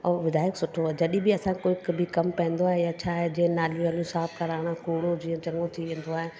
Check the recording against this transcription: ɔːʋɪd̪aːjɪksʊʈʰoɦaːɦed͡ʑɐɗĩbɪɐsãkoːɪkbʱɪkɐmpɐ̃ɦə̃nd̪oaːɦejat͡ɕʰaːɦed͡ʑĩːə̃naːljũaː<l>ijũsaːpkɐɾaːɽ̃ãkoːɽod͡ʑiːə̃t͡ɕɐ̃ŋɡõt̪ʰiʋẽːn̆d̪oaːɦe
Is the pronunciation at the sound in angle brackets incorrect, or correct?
correct